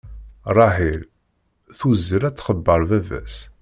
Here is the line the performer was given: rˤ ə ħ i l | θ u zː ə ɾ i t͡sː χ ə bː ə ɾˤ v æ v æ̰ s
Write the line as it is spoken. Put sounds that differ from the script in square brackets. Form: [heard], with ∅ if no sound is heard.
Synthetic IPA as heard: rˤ [ɑ] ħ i l | θ u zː ə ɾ [æ] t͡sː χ ə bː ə ɾˤ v æ v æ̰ s